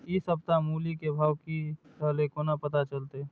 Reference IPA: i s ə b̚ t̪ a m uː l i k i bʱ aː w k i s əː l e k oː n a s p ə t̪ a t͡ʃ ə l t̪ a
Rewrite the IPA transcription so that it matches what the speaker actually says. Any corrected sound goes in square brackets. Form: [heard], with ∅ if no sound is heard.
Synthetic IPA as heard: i s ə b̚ t̪ a m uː l i k [e] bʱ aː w k i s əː l e k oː n a [∅] p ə t̪ a t͡ʃ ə l t̪ [e]